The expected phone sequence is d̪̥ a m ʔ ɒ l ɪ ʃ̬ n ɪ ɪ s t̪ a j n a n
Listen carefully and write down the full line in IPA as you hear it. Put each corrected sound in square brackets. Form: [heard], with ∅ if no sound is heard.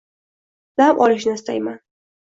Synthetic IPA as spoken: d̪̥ a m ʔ ɒ l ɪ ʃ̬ n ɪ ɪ s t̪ a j [m] a n

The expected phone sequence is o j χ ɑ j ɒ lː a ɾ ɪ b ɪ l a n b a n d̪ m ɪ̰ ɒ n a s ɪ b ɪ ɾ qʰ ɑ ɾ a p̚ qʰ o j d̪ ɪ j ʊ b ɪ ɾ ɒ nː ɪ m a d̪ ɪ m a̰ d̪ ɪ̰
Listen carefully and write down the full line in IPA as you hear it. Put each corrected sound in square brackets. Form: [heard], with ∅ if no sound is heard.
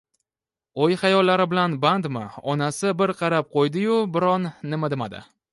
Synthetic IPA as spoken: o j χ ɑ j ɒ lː a ɾ ɪ b ɪ l a n b a n d̪ m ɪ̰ ɒ n a s ɪ b ɪ ɾ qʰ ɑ ɾ a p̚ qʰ o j d̪ ɪ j ʊ b ɪ ɾ ɒ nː ɪ m a d̪ ɪ m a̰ d̪ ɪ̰

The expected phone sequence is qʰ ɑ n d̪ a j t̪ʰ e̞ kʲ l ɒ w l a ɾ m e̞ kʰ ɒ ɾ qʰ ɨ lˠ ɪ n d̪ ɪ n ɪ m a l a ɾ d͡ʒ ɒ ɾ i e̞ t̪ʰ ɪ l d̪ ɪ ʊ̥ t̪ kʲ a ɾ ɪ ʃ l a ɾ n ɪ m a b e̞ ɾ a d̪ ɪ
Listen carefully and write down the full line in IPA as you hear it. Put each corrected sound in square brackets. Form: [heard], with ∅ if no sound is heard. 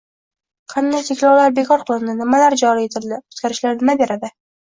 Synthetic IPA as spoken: qʰ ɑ n d̪ a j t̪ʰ e̞ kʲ l ɒ w l a ɾ [b] e̞ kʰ ɒ ɾ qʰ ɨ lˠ ɪ n d̪ ɪ n ɪ m a l a ɾ d͡ʒ ɒ ɾ i e̞ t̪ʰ ɪ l d̪ ɪ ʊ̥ t̪ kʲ a ɾ ɪ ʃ l a ɾ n ɪ m a b e̞ ɾ a d̪ ɪ

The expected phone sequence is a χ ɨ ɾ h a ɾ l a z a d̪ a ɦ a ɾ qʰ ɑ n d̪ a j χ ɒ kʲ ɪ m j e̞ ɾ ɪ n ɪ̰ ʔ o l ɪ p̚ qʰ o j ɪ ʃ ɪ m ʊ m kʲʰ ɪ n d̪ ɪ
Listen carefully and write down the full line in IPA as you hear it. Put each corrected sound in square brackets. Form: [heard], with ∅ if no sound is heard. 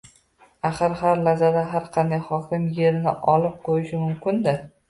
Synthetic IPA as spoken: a χ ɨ ɾ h a ɾ l a z a d̪ a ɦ a ɾ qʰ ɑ n d̪ a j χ ɒ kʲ ɪ m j e̞ ɾ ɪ n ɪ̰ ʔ [ɒ] l ɪ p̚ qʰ o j ɪ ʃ ɪ m ʊ m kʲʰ ɪ n d̪ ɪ

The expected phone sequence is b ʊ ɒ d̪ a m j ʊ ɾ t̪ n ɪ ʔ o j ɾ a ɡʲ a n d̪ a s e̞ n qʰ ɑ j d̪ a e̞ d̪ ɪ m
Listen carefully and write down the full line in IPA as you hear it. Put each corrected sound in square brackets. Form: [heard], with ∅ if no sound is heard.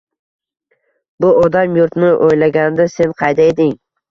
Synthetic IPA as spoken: b ʊ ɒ d̪ a m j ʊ ɾ t̪ n ɪ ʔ o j [l] a ɡʲ a n d̪ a s e̞ n qʰ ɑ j d̪ a e̞ d̪ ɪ [ŋ]

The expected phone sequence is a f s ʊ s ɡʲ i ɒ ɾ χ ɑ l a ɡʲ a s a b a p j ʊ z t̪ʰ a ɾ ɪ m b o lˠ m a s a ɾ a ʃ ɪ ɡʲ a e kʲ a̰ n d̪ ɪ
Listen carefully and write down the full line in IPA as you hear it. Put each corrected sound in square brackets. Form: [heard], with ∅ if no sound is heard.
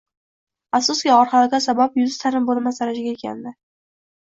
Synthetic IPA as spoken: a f s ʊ s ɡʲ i ɒ ɾ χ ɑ l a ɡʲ a s a b a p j ʊ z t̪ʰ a ɾ ɪ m b o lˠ m a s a ɾ a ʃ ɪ ɡʲ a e kʲ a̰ n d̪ ɪ

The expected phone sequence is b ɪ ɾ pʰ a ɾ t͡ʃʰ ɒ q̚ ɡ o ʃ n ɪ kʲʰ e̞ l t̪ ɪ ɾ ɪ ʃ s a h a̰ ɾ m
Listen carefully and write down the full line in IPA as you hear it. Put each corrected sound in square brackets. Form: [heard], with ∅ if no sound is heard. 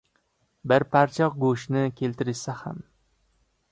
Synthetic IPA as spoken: b ɪ ɾ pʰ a ɾ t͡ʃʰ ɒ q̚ ɡ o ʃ n ɪ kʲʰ e̞ l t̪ ɪ ɾ ɪ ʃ s a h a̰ [∅] m

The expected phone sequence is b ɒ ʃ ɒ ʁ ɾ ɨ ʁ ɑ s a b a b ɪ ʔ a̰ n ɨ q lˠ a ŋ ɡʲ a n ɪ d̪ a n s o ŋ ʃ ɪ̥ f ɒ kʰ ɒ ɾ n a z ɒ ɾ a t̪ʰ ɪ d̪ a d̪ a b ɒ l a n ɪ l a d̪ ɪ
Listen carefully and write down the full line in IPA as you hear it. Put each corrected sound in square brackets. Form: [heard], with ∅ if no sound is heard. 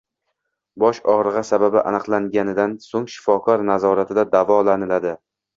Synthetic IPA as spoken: b ɒ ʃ ɒ ʁ ɾ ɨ ʁ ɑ s a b a b ɪ ʔ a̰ n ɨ q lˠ a ŋ ɡʲ a n ɪ d̪ a n s o ŋ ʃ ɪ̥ f ɒ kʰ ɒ ɾ n a z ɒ ɾ a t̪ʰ ɪ d̪ a d̪ a [v] ɒ l a n ɪ l a d̪ ɪ

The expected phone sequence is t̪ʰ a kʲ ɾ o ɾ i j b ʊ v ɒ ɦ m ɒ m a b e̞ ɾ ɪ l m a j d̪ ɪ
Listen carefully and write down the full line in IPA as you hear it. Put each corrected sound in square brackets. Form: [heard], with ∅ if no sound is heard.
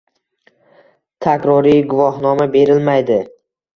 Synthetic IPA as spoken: t̪ʰ a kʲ ɾ [ɒ] ɾ i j [ɡ] ʊ v ɒ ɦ [n] ɒ m a b e̞ ɾ ɪ l m a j d̪ ɪ

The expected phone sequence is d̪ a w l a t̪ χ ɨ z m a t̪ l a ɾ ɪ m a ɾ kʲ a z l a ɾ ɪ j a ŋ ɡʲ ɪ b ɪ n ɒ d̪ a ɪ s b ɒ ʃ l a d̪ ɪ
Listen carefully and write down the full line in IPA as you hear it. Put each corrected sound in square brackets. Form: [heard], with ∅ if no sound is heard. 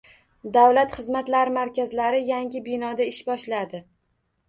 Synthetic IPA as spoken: d̪ a w l a t̪ χ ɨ z m a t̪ l a ɾ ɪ m a ɾ kʲ a z l a ɾ ɪ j a ŋ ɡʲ ɪ b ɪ n ɒ d̪ a ɪ [ʃ] b ɒ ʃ l a d̪ ɪ

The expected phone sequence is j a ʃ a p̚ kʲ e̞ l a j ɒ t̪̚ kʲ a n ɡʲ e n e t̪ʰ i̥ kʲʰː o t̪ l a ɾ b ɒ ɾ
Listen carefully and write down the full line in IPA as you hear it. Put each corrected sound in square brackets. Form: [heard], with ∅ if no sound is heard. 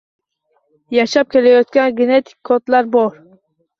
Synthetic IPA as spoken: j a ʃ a p̚ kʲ e̞ l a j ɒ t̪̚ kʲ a n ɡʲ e n e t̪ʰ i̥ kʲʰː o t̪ l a ɾ b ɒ ɾ

